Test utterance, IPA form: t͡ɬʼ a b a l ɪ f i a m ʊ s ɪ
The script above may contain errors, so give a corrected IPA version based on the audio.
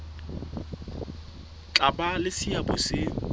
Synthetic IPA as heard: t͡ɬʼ a b a l ɪ s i a b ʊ s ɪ